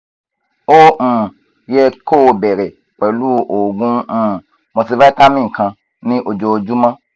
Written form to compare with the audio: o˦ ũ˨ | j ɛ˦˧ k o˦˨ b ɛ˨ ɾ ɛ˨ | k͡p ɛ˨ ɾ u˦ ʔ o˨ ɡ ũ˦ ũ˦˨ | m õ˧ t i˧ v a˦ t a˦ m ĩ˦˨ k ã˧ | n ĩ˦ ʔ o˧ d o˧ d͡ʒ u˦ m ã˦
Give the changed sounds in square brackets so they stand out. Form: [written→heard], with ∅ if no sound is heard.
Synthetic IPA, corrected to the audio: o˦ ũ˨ | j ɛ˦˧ k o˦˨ b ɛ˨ ɾ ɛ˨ | k͡p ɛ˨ [ɾ→l] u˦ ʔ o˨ ɡ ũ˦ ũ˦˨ | m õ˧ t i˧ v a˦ t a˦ m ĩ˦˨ k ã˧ | n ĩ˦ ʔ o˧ [d→d͡ʒ] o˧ d͡ʒ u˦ m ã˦